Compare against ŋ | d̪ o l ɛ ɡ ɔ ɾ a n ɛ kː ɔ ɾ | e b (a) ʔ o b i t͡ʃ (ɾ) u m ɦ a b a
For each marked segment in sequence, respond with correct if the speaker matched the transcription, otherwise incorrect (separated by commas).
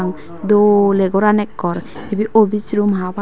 incorrect, correct